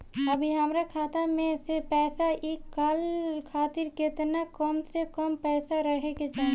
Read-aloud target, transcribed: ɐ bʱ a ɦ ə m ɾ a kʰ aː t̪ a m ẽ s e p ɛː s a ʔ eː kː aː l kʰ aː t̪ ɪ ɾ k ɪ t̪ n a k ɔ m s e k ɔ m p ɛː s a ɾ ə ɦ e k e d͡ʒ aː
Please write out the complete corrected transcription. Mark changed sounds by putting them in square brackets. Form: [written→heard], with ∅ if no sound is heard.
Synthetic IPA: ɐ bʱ [a→i] ɦ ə m ɾ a kʰ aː t̪ a m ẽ s e p ɛː s a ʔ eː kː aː l kʰ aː t̪ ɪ ɾ k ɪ t̪ n a k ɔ m s e k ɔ m p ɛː s a ɾ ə ɦ e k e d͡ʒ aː